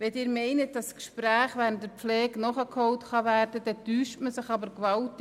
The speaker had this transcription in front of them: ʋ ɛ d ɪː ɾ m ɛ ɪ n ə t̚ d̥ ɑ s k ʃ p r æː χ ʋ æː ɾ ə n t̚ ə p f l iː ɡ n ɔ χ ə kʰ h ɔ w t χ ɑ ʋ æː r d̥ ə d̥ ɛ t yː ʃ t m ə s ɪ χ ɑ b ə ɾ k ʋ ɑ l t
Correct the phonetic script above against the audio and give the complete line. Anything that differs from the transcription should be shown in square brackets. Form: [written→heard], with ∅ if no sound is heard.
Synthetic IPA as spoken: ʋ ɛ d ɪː ɾ m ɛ ɪ n ə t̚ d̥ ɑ s k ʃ p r æː χ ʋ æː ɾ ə n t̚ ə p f l [iː→ɛː] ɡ n ɔ χ ə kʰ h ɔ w t χ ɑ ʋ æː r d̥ ə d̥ ɛ t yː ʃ t m ə s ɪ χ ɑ b ə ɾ k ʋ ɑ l t